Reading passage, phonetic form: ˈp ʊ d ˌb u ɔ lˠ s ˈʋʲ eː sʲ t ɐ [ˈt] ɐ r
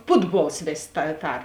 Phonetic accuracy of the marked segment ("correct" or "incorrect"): correct